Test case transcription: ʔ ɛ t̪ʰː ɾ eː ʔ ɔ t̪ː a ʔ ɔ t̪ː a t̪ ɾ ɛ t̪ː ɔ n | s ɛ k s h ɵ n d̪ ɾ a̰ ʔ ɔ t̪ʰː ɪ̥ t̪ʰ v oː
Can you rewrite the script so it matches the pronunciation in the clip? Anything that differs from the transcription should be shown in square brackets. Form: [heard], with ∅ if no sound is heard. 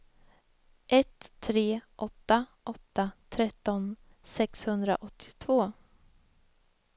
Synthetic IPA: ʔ ɛ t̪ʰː ɾ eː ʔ ɔ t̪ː a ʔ ɔ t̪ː a [t̪ʰ] ɾ ɛ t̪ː ɔ n | s ɛ k s h ɵ n d̪ ɾ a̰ ʔ ɔ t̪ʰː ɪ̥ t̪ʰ v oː